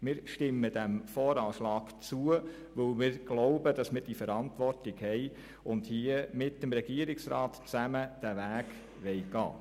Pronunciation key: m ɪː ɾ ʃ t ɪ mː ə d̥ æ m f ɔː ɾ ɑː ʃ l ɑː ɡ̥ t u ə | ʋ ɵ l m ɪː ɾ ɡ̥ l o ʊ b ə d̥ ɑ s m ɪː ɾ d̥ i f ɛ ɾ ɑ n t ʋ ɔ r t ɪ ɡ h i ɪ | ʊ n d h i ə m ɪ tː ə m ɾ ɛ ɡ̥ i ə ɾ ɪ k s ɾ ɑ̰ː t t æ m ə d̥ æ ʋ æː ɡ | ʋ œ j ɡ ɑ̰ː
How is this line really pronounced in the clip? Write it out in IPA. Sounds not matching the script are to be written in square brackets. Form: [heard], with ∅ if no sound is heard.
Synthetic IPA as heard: m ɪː ɾ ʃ t ɪ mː ə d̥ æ m f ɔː ɾ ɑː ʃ l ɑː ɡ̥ [t͡s] u ə | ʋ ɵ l m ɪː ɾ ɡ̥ l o ʊ b ə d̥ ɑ s m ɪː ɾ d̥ i f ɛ ɾ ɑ n t ʋ ɔ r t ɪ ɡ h [ɛ] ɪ | ʊ n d h i ə m ɪ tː ə m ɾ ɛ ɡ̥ i ə ɾ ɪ k s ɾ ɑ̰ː t [t͡s] æ m ə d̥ æ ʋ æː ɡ | ʋ [ɛ] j ɡ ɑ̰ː